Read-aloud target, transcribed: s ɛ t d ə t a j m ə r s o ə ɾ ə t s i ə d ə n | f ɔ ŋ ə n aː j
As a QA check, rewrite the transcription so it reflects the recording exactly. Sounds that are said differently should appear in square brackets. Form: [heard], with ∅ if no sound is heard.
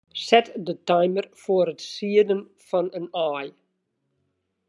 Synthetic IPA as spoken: s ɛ t d ə t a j m ə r [f] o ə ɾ ə t s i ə d ə n | f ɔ [n] ə n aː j